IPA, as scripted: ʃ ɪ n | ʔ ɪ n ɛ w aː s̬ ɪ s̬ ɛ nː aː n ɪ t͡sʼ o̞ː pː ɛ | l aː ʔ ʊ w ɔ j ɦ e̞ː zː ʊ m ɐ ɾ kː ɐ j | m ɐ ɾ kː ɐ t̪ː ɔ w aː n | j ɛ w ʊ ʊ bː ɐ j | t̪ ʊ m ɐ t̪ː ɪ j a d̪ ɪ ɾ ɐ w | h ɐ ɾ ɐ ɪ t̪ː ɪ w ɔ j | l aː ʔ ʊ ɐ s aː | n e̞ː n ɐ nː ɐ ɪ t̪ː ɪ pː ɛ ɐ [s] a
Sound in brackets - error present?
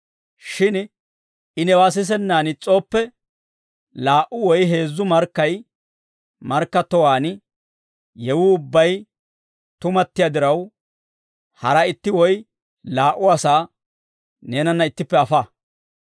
yes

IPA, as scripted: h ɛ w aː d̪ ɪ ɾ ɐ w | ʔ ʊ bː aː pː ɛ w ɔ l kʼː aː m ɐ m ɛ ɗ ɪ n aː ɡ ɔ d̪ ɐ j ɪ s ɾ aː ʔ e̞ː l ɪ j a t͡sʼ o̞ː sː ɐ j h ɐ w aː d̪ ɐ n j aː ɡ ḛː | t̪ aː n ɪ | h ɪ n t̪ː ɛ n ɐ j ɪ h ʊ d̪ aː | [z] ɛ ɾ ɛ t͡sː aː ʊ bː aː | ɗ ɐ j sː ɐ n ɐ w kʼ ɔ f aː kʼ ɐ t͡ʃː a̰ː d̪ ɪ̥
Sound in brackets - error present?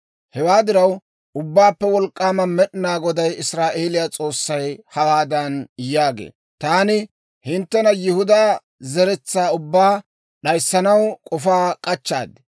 no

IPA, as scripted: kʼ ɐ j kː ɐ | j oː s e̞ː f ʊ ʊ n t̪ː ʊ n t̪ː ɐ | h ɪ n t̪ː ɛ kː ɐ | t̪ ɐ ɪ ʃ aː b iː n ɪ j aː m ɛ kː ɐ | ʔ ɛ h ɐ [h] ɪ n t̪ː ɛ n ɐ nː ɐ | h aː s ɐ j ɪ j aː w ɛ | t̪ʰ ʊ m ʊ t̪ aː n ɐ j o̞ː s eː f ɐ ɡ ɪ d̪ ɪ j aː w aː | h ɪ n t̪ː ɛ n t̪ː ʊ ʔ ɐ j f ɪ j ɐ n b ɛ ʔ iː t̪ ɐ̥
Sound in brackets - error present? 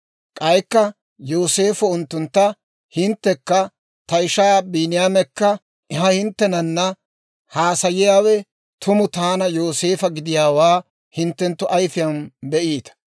no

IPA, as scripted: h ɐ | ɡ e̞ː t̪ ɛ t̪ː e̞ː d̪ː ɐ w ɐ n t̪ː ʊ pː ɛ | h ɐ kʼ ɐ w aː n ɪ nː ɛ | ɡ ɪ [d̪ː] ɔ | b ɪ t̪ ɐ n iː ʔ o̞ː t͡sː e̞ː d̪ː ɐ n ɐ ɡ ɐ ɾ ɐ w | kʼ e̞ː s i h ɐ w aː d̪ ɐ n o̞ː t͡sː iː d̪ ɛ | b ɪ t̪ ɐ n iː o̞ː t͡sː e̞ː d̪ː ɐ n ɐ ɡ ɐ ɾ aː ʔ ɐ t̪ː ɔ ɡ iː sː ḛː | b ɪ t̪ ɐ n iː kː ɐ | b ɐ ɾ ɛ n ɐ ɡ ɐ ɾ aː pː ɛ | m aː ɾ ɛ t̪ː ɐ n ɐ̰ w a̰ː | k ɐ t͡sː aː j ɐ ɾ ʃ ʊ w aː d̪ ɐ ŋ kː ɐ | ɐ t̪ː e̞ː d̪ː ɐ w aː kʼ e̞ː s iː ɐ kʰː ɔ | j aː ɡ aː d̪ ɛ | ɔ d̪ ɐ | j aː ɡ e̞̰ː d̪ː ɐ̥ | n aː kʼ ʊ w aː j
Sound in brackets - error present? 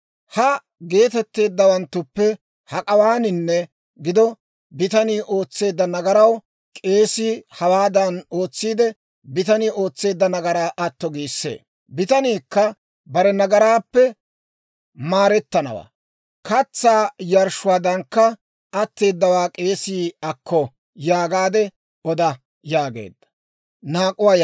yes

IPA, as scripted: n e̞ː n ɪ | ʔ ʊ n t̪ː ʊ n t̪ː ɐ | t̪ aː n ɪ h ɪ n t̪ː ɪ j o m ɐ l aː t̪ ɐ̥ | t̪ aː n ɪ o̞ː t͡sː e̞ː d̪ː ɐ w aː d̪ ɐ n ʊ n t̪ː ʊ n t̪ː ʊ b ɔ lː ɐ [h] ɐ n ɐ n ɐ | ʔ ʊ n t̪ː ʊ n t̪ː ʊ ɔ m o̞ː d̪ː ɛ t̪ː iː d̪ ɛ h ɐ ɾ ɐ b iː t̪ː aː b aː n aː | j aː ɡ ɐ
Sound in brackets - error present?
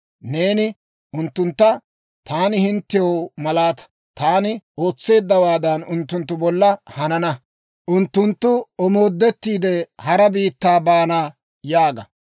no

